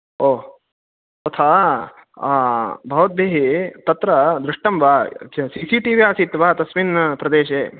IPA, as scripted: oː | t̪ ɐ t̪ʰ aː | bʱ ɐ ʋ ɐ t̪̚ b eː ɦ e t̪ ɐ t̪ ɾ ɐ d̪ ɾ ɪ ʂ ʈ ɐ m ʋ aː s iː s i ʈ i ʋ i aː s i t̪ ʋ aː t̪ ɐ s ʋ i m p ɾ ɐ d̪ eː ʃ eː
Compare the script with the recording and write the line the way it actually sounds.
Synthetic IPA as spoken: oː | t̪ ɐ t̪ʰ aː | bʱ ɐ ʋ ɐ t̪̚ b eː ɦ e t̪ ɐ t̪ ɾ ɐ d̪ ɾ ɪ ʂ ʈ ɐ m ʋ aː s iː s i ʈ i ʋ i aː s i t̪ ʋ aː t̪ ɐ s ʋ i n p ɾ ɐ d̪ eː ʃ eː

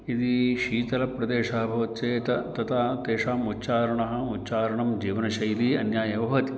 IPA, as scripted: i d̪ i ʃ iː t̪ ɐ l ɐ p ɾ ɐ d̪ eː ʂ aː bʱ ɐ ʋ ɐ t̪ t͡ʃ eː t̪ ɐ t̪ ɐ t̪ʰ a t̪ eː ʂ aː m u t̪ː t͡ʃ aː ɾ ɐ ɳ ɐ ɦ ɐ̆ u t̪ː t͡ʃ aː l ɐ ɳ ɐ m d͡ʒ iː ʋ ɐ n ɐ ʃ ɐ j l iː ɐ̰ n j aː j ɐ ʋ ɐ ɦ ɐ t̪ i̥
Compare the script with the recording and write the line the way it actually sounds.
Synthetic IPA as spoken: i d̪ i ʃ iː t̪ ɐ l ɐ p ɾ ɐ d̪ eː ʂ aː bʱ ɐ ʋ ɐ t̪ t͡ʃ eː t̪ ɐ t̪ ɐ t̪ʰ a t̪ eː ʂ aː m u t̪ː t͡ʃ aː ɾ ɐ ɳ ɐ ɦ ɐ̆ u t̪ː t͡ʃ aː ɾ ɐ ɳ ɐ m d͡ʒ iː ʋ ɐ n ɐ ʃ ɐ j l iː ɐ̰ n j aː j ɐ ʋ ɐ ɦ ɐ t̪ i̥

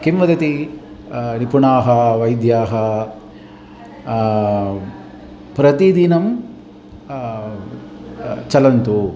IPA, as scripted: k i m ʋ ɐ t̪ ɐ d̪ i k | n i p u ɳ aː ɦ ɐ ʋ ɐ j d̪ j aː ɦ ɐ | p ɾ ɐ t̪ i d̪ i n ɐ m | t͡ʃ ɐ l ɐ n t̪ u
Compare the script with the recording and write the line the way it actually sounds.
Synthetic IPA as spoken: k i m ʋ ɐ d̪ ɐ t̪ i | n i p u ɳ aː ɦ ɐ ʋ ɐ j d̪ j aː ɦ ɐ | p ɾ ɐ t̪ i d̪ i n ɐ m | t͡ʃ ɐ l ɐ n t̪ u

